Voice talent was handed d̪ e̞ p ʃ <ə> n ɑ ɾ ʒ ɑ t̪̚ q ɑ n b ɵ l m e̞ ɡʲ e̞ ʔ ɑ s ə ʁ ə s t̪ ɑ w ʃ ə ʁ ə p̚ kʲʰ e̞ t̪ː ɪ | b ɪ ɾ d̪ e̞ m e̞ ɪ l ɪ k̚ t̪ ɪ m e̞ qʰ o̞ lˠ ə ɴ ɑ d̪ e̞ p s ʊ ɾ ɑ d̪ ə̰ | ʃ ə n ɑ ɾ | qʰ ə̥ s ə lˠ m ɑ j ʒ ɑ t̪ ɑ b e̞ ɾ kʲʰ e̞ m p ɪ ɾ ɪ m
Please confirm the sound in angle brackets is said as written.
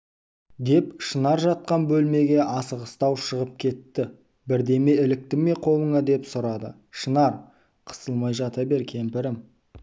yes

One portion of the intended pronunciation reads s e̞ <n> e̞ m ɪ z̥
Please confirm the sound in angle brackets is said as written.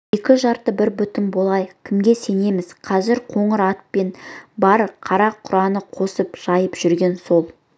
yes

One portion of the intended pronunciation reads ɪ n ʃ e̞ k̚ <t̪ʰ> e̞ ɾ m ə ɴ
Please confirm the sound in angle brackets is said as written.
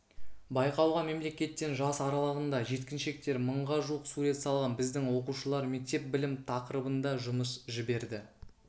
no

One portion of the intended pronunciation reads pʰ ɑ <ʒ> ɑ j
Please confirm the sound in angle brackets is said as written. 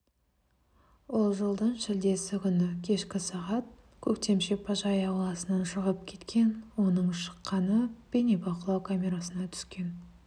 yes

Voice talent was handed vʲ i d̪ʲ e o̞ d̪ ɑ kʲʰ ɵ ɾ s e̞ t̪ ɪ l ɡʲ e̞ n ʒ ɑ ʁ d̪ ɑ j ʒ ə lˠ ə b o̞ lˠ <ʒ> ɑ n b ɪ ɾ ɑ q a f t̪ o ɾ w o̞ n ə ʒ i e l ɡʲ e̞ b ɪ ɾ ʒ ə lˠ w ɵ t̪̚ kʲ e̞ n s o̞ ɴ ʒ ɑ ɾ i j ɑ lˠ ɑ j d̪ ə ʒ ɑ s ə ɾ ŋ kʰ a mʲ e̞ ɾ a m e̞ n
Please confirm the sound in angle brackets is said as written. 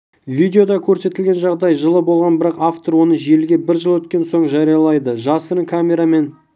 no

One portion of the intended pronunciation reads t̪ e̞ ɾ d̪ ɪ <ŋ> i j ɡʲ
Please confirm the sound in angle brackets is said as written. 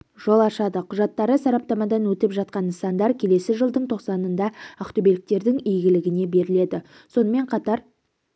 yes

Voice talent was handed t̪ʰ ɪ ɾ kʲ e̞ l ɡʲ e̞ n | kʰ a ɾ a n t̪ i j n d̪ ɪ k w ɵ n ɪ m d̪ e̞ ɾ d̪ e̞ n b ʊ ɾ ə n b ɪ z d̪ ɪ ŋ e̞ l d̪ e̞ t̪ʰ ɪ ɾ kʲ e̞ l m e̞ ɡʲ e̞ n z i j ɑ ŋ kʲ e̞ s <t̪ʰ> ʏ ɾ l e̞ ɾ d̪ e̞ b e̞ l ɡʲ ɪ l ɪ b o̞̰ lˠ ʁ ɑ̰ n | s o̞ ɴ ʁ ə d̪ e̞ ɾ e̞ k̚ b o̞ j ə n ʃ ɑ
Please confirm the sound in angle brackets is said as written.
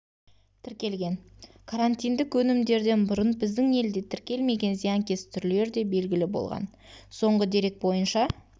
yes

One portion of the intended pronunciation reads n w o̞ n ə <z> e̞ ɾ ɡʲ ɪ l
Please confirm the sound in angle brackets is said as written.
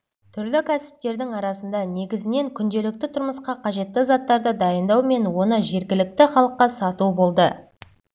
no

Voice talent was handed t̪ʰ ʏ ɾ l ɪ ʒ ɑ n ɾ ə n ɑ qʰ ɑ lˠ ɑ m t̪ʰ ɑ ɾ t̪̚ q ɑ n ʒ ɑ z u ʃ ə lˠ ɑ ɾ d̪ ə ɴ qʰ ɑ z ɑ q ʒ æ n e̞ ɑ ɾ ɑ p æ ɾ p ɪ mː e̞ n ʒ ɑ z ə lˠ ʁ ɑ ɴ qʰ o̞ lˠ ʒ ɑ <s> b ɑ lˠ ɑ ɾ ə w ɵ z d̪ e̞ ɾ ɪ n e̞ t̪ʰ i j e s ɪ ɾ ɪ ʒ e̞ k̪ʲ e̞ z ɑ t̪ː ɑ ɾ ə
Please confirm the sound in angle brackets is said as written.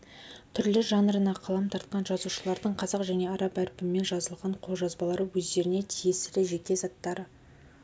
no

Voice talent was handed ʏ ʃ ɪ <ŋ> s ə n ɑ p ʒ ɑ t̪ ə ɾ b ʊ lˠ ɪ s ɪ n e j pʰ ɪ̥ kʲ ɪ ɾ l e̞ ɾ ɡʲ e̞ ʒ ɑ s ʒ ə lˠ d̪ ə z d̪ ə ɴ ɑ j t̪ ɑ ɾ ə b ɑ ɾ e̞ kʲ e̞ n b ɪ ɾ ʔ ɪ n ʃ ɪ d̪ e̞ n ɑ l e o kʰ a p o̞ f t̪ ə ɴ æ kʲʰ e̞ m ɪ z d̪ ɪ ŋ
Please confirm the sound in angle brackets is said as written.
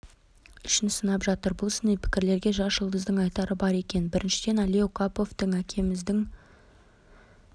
no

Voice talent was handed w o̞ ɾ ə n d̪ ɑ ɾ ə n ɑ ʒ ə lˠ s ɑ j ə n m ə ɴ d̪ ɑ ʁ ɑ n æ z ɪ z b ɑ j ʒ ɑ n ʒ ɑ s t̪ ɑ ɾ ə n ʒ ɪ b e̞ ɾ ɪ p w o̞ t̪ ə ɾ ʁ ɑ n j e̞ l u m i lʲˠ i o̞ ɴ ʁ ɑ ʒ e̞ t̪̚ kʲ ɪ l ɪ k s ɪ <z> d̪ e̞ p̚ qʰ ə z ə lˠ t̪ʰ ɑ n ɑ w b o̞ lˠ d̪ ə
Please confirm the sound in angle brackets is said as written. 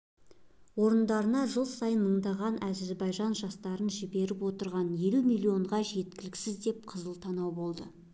yes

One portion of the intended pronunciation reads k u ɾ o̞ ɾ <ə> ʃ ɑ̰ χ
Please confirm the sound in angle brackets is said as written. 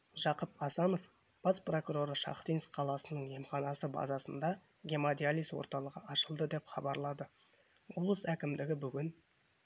yes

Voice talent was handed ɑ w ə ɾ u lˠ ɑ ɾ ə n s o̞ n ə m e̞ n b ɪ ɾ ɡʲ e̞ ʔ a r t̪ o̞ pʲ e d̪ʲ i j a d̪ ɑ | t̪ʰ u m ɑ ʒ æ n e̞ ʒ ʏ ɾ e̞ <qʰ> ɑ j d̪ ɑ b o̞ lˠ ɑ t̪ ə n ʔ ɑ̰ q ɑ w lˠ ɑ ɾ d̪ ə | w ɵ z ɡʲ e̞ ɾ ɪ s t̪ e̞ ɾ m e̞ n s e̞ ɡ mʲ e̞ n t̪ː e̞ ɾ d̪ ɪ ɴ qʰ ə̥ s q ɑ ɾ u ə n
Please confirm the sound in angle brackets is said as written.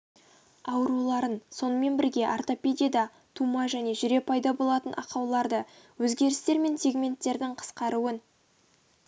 no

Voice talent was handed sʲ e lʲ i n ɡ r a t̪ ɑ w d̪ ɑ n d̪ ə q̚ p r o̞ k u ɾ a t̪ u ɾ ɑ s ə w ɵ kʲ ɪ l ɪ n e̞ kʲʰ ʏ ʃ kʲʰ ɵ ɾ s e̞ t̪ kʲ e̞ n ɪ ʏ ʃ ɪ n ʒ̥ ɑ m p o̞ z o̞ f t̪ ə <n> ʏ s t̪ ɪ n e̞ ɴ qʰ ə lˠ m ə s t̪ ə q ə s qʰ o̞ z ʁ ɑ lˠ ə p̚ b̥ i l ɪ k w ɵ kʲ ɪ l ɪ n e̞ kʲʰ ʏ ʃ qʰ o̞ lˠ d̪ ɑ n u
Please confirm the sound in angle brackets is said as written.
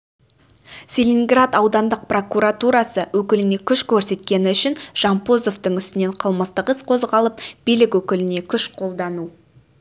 no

